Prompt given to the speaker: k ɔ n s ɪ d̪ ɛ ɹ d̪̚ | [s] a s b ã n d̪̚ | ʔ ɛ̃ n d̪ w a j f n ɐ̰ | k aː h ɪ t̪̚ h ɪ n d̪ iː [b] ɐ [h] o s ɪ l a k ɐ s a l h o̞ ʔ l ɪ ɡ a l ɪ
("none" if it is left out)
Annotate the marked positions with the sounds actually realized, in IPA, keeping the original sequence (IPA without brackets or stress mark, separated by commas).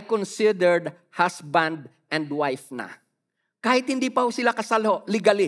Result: h, p, h